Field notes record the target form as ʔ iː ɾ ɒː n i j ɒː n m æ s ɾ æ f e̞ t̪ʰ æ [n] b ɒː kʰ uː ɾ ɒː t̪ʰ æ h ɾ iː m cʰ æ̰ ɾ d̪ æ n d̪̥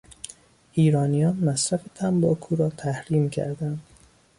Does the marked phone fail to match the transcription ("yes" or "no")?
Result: yes